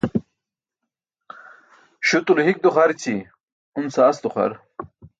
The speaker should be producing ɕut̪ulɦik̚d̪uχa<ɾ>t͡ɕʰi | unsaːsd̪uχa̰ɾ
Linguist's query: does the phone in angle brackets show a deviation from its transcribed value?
no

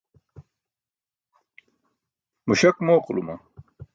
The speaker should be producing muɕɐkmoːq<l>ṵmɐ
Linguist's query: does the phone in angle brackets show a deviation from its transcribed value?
no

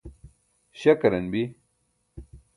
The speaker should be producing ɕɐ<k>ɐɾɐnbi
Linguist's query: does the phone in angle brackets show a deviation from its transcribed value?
no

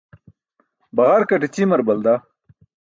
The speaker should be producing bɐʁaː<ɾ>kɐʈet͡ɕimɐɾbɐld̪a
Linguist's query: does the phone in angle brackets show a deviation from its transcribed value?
no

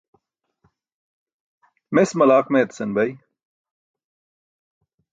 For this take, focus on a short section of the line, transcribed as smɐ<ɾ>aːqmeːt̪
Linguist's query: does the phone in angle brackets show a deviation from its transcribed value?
yes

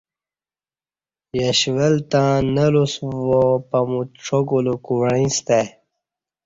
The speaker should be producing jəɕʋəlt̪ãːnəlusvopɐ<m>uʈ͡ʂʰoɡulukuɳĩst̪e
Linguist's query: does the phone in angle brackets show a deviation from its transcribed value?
no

